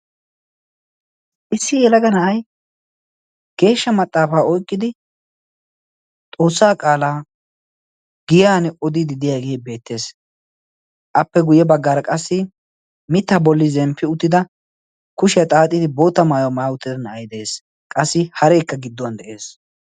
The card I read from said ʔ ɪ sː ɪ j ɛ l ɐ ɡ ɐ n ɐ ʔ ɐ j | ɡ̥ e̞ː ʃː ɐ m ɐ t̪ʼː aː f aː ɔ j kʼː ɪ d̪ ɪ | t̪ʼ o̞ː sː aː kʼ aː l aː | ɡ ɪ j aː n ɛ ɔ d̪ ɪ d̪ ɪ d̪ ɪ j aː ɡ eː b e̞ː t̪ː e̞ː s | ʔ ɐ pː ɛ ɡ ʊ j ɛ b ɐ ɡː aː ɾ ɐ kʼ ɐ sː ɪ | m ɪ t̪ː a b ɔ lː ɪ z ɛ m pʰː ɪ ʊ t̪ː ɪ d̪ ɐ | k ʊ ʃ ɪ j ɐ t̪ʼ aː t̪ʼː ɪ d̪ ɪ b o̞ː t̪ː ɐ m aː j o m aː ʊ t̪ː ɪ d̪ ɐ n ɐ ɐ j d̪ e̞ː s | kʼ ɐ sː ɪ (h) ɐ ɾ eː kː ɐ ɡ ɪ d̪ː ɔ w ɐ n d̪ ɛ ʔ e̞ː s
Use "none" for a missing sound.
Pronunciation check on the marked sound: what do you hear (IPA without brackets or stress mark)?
h